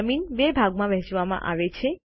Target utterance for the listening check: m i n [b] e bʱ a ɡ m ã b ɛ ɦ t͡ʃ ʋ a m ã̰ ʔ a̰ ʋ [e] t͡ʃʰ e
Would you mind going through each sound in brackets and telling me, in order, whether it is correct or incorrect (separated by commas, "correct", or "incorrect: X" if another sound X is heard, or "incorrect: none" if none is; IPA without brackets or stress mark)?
correct, correct